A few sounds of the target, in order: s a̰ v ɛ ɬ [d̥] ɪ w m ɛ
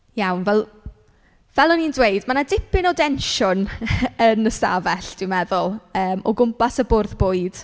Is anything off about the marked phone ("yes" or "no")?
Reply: no